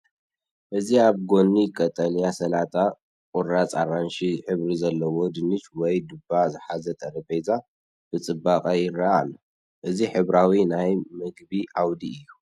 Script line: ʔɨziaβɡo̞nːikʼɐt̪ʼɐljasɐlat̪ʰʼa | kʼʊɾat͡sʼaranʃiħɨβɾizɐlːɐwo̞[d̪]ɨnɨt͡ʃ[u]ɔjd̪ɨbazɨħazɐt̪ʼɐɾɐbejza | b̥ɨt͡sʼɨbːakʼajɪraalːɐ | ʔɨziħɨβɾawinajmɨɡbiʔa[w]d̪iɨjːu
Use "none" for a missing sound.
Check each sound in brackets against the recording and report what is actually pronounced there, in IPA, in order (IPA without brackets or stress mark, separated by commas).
d̪, w, w